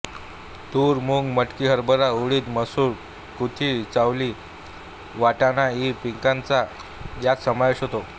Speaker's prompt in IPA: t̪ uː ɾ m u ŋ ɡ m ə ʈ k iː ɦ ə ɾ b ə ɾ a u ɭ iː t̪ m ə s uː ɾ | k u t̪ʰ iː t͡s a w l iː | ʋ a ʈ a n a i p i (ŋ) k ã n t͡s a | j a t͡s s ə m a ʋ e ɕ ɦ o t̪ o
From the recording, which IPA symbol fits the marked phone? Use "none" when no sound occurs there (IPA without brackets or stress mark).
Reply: ŋ